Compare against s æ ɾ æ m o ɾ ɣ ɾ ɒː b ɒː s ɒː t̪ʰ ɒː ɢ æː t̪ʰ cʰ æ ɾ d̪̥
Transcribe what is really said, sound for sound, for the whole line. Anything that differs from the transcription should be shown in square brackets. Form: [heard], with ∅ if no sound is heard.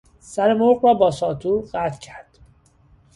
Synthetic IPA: s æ ɾ [e] m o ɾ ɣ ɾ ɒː b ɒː s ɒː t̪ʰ [uː] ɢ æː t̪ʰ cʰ æ ɾ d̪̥